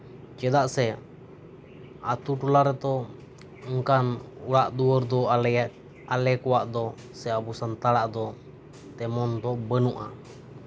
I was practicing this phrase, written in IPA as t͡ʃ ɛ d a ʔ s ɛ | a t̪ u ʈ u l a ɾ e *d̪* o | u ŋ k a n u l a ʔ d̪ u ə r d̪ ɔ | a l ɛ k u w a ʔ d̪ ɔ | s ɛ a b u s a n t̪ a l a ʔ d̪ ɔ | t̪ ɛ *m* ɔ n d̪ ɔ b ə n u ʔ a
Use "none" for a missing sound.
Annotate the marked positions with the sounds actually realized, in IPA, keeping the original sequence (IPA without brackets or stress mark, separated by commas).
t̪, m